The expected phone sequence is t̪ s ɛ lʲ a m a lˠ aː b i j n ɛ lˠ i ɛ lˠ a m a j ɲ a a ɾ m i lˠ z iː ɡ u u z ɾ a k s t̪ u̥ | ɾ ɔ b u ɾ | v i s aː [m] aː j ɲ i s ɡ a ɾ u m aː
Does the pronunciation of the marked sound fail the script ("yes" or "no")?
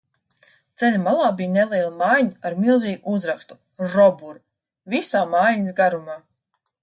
no